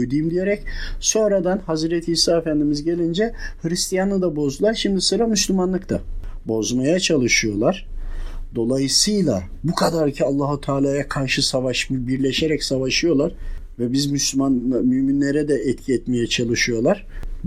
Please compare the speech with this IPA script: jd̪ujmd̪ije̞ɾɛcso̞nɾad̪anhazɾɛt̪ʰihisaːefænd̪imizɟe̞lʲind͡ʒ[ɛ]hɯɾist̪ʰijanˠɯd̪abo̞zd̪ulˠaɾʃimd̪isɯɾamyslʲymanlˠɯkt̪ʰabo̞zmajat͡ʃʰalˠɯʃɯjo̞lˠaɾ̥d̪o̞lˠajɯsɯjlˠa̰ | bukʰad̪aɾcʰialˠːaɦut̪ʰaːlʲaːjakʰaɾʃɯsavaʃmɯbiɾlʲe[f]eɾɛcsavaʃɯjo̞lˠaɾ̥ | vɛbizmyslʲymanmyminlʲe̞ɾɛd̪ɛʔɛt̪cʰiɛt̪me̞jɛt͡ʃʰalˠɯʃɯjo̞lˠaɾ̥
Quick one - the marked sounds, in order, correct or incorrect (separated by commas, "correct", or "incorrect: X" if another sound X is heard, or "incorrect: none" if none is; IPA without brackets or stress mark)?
correct, incorrect: ʃ